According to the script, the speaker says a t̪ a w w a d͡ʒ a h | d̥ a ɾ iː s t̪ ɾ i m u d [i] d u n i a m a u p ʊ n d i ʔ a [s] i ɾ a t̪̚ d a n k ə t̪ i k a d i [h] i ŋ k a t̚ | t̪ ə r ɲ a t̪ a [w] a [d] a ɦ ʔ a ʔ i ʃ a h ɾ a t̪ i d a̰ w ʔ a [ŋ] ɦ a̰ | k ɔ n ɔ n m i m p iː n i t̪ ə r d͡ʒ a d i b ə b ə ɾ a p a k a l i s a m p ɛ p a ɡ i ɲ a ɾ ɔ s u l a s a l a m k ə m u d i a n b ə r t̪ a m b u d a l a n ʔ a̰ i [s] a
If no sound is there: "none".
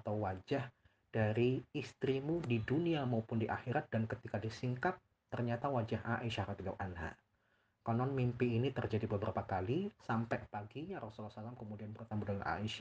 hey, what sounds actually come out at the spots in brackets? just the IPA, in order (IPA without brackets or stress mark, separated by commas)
i, x, s, w, d͡ʒ, n, ʃ